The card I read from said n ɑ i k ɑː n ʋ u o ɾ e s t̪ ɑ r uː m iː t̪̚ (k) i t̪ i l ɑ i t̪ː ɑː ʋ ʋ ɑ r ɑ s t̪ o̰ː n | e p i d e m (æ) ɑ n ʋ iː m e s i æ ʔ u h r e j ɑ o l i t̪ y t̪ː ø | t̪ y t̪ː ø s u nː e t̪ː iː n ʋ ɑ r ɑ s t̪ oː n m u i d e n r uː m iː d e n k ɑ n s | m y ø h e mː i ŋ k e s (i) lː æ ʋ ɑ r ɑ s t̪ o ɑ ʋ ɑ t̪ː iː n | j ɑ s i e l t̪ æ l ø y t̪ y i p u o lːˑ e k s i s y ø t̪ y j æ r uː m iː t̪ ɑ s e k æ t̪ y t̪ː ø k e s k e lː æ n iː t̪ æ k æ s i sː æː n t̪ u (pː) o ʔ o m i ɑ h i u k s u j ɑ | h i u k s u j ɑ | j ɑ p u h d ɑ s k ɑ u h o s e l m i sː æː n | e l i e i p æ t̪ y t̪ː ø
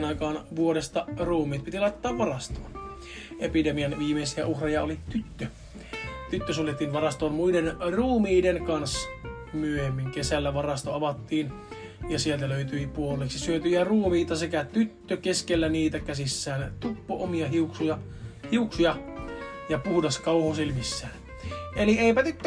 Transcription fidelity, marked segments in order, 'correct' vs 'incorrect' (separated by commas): incorrect, incorrect, incorrect, correct